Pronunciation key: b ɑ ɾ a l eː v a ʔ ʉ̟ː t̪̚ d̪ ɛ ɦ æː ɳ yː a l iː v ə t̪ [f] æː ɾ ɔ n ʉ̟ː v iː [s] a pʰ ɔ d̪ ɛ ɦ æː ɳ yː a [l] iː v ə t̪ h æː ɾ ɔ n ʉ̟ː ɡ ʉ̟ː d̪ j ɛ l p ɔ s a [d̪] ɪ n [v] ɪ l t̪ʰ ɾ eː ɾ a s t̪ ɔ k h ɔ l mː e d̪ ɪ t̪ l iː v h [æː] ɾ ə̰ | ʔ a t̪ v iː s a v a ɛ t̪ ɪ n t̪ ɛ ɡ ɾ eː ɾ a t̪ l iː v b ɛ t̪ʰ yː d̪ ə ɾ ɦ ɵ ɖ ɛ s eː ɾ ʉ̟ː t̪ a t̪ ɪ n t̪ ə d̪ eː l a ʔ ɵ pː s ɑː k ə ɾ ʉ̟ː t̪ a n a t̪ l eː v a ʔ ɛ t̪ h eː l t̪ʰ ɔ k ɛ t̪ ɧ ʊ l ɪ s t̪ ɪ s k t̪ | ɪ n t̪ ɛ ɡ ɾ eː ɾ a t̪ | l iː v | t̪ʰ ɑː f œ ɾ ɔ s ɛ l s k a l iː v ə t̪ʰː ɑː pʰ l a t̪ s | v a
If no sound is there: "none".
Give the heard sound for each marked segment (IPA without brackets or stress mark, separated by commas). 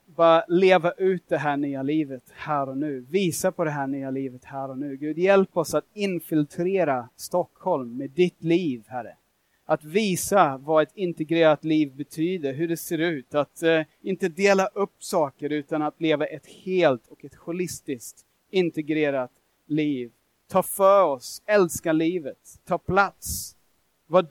h, s, l, t̪, f, æ